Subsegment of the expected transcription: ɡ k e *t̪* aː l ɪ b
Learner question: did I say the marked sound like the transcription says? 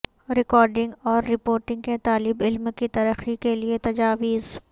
yes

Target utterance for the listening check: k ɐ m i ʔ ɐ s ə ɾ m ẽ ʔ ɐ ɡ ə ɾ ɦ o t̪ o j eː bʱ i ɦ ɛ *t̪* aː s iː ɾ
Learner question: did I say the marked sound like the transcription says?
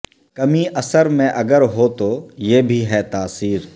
yes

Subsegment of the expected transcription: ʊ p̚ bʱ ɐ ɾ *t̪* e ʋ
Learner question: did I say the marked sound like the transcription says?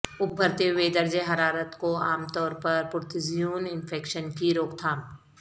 yes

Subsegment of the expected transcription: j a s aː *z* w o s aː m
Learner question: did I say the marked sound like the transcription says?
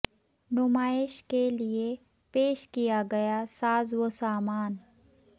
yes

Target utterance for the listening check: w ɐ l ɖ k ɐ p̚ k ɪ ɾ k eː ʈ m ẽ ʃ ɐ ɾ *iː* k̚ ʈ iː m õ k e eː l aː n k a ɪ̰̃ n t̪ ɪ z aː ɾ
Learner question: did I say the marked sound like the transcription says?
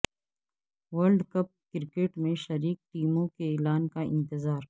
yes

